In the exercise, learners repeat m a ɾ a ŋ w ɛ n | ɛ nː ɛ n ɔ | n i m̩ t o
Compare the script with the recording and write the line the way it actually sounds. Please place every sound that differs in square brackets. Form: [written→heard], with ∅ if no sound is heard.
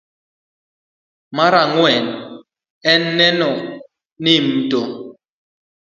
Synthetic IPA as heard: m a ɾ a ŋ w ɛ n | ɛ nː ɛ n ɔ | n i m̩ t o